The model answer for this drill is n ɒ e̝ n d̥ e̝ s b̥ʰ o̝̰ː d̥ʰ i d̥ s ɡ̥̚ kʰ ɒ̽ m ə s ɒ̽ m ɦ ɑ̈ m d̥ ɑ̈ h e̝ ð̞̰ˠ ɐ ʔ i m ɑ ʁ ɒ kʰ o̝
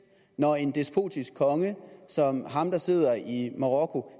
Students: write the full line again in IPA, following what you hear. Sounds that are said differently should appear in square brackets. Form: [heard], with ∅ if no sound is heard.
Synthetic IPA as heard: n ɒ e̝ n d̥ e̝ s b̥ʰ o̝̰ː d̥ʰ i [∅] s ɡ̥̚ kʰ ɒ̽ [ŋ] ə s ɒ̽ m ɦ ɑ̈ m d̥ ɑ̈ [s] e̝ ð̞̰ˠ ɐ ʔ i m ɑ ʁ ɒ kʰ o̝

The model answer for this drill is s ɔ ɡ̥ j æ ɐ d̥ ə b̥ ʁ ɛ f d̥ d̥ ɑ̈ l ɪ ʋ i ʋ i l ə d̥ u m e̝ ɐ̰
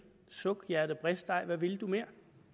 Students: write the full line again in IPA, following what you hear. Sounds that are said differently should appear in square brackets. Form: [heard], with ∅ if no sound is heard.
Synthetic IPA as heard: s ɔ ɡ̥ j æ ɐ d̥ ə b̥ ʁ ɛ [s] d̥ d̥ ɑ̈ [∅] ɪ ʋ [æ] ʋ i l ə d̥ u m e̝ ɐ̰

